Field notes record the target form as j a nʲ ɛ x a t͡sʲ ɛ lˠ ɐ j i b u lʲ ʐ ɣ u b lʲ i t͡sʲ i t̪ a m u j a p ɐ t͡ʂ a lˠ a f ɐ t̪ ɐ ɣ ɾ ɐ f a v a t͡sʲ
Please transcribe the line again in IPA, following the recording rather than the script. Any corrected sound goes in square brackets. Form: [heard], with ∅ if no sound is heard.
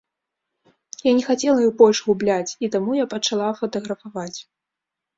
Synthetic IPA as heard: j a nʲ ɛ x a t͡sʲ ɛ lˠ ɐ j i b [ɔ] lʲ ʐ ɣ u b lʲ [a] t͡sʲ i t̪ a m u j a p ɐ t͡ʂ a lˠ a f ɐ t̪ ɐ ɣ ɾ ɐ f a v a t͡sʲ

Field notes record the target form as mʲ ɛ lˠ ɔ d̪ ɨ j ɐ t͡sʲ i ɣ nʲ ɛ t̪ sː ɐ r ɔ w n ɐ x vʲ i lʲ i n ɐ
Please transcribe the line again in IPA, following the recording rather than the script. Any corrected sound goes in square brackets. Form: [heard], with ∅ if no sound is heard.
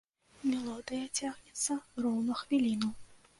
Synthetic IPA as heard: mʲ ɛ lˠ ɔ d̪ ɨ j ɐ t͡sʲ [a] ɣ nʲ ɛ t̪ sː ɐ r ɔ w n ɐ x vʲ i lʲ i n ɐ

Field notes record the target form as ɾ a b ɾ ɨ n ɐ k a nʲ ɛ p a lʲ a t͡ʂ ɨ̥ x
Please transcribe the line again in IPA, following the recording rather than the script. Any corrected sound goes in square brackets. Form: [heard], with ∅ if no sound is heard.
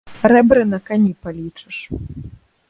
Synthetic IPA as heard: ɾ [ɛ] b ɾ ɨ n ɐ k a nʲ [i] p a lʲ [i] t͡ʂ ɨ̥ [ʂ]

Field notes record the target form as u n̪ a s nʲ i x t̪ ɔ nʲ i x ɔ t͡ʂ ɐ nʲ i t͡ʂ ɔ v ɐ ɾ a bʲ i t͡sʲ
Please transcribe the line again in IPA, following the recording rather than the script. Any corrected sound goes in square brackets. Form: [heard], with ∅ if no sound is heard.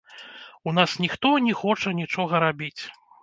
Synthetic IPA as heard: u n̪ a s nʲ i x t̪ ɔ nʲ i x ɔ t͡ʂ ɐ nʲ i t͡ʂ ɔ [ɣ] ɐ ɾ a bʲ i t͡sʲ

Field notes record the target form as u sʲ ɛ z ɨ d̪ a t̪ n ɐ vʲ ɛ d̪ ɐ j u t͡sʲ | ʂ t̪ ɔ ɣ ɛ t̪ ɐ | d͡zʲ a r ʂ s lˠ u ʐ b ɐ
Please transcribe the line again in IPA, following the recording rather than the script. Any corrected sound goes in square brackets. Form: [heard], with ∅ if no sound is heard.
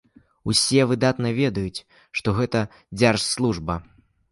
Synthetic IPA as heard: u sʲ ɛ [v] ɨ d̪ a t̪ n ɐ vʲ ɛ d̪ ɐ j u t͡sʲ | ʂ t̪ ɔ ɣ ɛ t̪ ɐ | d͡zʲ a r ʂ s lˠ u ʐ b ɐ

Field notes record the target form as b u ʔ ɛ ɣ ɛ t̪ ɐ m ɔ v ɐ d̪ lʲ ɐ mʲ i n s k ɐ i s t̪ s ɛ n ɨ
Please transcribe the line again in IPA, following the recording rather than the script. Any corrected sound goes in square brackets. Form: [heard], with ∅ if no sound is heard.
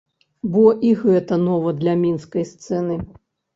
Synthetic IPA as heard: b [ɔ] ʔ [i] ɣ ɛ t̪ ɐ [n] ɔ v ɐ d̪ lʲ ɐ mʲ i n s k ɐ [j] s t̪ s ɛ n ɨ

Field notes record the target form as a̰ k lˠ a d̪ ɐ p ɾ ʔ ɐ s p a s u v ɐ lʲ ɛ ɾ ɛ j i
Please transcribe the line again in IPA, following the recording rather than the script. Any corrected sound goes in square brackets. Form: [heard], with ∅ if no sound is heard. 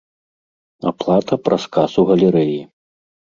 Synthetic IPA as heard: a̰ [p] lˠ a [t̪] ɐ p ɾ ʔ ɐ s [k] a s u [ɣ] ɐ lʲ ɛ ɾ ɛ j i

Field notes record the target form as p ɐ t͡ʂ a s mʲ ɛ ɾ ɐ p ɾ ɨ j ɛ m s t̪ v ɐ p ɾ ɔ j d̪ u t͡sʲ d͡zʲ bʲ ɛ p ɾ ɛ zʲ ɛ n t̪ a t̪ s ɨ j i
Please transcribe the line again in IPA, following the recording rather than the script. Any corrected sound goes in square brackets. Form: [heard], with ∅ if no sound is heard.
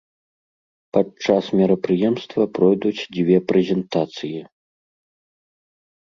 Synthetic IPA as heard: p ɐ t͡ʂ a s mʲ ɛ ɾ ɐ p ɾ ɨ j ɛ m s t̪ v ɐ p ɾ ɔ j d̪ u t͡sʲ d͡zʲ [vʲ] ɛ p ɾ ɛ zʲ ɛ n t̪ a t̪ s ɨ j i

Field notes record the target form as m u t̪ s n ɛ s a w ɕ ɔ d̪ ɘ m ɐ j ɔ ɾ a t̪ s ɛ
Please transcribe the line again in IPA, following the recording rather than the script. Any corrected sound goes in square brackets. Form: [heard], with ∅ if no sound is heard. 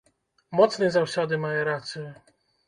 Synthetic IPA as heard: m [ɔ] t̪ s n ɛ [z] a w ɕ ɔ d̪ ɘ m [a] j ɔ ɾ a t̪ s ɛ

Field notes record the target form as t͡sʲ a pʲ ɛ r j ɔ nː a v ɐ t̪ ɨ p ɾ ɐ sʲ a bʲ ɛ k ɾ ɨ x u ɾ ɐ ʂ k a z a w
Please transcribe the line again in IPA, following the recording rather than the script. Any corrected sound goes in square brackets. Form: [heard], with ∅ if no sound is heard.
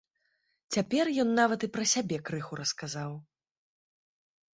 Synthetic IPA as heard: t͡sʲ a pʲ ɛ r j ɔ nː a v ɐ t̪ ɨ p ɾ ɐ sʲ a bʲ ɛ k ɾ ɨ x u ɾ ɐ [s] k a z a w

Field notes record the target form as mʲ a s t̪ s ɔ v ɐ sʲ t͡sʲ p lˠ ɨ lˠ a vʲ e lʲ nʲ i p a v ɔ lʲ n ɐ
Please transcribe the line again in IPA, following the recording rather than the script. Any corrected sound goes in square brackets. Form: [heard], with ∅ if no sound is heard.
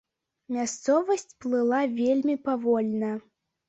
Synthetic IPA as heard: mʲ a s t̪ s ɔ v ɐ sʲ t͡sʲ p lˠ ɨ lˠ a vʲ e lʲ [mʲ] i p a v ɔ lʲ n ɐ

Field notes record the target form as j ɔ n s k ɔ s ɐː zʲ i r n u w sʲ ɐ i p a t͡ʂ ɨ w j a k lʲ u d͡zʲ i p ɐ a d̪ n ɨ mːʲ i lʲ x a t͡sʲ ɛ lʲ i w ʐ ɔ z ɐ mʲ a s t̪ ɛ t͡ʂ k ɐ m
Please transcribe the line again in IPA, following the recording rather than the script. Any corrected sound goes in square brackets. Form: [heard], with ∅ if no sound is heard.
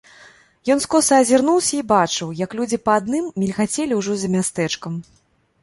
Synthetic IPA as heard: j ɔ n s k ɔ s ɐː zʲ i r n u w sʲ ɐ i [b] a t͡ʂ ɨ w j [ɐ] k lʲ u d͡zʲ i p ɐ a d̪ n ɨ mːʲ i lʲ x a t͡sʲ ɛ lʲ i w ʐ ɔ z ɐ mʲ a s t̪ ɛ t͡ʂ k ɐ m

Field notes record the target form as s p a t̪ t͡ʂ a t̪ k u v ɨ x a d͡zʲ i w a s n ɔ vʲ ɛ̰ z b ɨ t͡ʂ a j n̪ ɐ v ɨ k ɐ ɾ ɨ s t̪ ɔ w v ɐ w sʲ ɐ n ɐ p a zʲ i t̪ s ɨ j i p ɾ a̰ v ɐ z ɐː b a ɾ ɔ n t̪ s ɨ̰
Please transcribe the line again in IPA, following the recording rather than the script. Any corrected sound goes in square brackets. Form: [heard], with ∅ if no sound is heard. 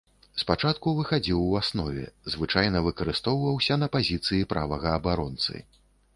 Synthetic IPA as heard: s p a [∅] t͡ʂ a t̪ k u v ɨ x a d͡zʲ i w a s n ɔ vʲ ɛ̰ z [v] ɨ t͡ʂ a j n̪ ɐ v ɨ k ɐ ɾ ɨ s t̪ ɔ w v ɐ w sʲ ɐ n ɐ p a zʲ i t̪ s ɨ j i p ɾ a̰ v ɐ [ɣ] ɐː b a ɾ ɔ n t̪ s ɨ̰

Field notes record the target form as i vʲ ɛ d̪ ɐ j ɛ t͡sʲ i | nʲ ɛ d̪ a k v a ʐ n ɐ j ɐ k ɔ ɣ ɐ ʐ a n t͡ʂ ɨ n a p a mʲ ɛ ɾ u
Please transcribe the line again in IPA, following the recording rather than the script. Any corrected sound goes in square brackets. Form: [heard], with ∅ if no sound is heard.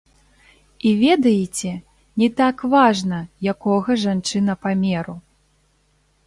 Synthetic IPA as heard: i vʲ ɛ d̪ ɐ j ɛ t͡sʲ [ɛ] | nʲ ɛ [t̪] a k v a ʐ n ɐ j [a] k ɔ ɣ ɐ ʐ a n t͡ʂ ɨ n [ɐ] p a mʲ ɛ ɾ u

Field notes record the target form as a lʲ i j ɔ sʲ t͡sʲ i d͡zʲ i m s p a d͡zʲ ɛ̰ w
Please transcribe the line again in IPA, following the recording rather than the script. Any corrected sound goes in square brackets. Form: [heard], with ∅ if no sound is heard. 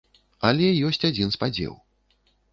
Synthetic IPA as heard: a lʲ [ɛ] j ɔ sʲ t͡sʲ [a] d͡zʲ i [n] s p a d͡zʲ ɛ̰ w

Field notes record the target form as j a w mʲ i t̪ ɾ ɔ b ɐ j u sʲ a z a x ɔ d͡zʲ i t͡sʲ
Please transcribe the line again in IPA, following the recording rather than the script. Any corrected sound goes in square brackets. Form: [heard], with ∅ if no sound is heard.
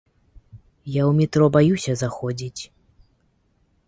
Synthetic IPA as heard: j a w mʲ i t̪ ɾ ɔ b [a] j u sʲ [ɐ] z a x ɔ d͡zʲ i t͡sʲ

